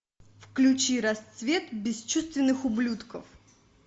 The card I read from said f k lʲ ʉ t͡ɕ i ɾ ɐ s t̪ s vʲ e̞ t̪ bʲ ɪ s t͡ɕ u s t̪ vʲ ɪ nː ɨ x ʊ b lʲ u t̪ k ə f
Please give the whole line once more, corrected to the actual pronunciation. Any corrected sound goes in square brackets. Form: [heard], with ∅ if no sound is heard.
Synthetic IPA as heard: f k lʲ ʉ t͡ɕ i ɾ ɐ s t̪ s vʲ e̞ t̪ bʲ ɪ s t͡ɕ u s t̪ vʲ ɪ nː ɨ x ʊ b lʲ u t̪ k ə f